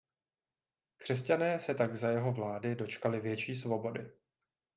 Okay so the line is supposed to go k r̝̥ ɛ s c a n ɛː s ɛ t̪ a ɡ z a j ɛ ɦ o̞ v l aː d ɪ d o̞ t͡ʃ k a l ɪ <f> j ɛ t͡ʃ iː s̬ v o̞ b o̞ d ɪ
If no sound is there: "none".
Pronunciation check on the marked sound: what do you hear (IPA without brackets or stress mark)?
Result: v